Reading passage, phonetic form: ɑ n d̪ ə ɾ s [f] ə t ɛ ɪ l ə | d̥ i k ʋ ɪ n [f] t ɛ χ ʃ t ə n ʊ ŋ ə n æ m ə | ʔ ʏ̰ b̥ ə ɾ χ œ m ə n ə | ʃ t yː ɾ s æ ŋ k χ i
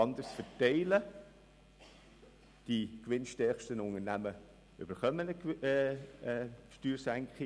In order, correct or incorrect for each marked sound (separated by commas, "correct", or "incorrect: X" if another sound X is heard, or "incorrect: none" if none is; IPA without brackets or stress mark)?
correct, incorrect: ʃ